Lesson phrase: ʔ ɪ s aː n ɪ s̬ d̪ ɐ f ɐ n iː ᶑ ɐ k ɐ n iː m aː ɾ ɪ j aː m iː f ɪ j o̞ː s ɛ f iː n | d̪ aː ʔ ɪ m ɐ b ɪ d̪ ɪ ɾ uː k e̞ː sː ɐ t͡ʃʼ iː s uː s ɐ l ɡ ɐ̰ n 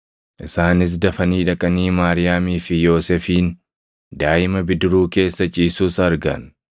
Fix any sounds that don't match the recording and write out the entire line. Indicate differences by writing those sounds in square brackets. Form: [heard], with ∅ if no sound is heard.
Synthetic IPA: ʔ ɪ s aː n ɪ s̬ d̪ ɐ f ɐ n iː ᶑ ɐ [kʼ] ɐ n iː m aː ɾ ɪ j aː m iː f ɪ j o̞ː s ɛ f iː n | d̪ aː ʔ ɪ m ɐ b ɪ d̪ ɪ ɾ uː k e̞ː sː ɐ t͡ʃʼ iː s uː s ɐ [ɾ] ɡ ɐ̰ n

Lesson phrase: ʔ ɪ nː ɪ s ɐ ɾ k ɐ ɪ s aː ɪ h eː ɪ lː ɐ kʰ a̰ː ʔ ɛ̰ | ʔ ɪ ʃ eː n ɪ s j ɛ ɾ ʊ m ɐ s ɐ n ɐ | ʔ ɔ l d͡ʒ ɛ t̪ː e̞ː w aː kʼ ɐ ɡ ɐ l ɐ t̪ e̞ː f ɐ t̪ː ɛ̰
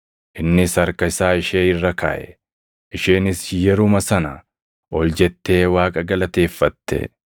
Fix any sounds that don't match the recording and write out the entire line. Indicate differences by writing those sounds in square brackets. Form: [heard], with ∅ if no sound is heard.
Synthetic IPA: ʔ ɪ nː ɪ s ɐ ɾ k ɐ ɪ s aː ɪ [ʃ] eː ɪ [rː] ɐ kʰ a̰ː ʔ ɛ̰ | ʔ ɪ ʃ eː n ɪ s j ɛ ɾ ʊ m ɐ s ɐ n ɐ | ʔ ɔ l d͡ʒ ɛ t̪ː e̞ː w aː kʼ ɐ ɡ ɐ l ɐ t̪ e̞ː [fː] ɐ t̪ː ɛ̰

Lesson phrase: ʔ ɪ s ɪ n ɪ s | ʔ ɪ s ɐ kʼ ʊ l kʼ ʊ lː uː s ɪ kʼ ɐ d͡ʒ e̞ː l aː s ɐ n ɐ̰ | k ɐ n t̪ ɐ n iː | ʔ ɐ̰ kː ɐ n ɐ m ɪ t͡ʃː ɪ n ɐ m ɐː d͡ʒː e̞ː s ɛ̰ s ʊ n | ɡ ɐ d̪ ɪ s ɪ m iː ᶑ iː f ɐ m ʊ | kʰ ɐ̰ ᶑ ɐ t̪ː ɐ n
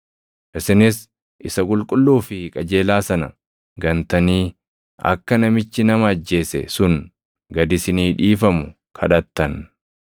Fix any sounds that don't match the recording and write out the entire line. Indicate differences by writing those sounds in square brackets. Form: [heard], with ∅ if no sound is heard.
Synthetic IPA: ʔ ɪ s ɪ n ɪ s | ʔ ɪ s ɐ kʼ ʊ l kʼ ʊ lː uː [f] ɪ kʼ ɐ d͡ʒ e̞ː l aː s ɐ n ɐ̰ | [ɡ] ɐ n t̪ ɐ n iː | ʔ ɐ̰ kː ɐ n ɐ m ɪ t͡ʃː ɪ n ɐ m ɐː d͡ʒː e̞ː s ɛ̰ s ʊ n | ɡ ɐ d̪ ɪ s ɪ [n] iː ᶑ iː f ɐ m ʊ | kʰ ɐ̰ ᶑ ɐ t̪ː ɐ n

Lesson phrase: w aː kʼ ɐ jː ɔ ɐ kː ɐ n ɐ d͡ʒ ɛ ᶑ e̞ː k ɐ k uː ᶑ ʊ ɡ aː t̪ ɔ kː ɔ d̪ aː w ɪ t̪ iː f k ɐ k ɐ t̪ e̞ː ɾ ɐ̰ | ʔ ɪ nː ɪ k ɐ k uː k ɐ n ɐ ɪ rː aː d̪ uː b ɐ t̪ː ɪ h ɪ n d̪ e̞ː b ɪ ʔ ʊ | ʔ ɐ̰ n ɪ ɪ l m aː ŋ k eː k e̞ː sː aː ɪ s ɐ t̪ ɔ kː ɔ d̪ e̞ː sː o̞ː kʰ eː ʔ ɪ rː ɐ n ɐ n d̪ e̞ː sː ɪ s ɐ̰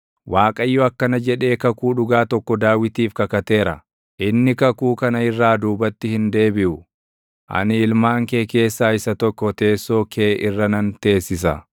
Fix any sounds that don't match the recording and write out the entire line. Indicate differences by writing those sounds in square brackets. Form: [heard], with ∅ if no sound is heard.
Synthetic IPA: w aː kʼ ɐ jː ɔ ɐ kː ɐ n ɐ d͡ʒ ɛ ᶑ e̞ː k ɐ k uː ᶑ ʊ ɡ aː t̪ ɔ kː ɔ d̪ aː w ɪ t̪ iː f k ɐ k ɐ t̪ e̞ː ɾ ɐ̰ | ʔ ɪ nː ɪ k ɐ k uː k ɐ n ɐ ɪ rː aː d̪ uː b ɐ t̪ː ɪ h ɪ n d̪ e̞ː b ɪ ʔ ʊ | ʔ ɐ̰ n ɪ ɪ l m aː ŋ k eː k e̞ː sː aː ɪ s ɐ t̪ ɔ kː ɔ [t̪] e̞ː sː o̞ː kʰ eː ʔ ɪ rː ɐ n ɐ n [t̪] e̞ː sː ɪ s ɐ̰

